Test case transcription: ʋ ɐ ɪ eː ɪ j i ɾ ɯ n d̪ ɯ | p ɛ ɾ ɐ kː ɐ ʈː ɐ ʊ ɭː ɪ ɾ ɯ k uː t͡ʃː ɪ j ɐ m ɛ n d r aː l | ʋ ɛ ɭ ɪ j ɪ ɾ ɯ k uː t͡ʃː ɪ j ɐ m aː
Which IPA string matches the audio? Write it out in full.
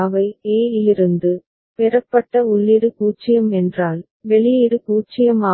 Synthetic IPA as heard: ʋ ɐ ɪ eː ɪ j ɪ ɾ ɯ n d̪ ɯ | p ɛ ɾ ɐ pː ɐ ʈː ɐ ʊ ɭː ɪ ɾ ɯ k uː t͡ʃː ɪ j ɐ m ɛ n d r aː l | ʋ ɛ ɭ ɪ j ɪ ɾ ɯ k uː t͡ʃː ɪ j ɐ m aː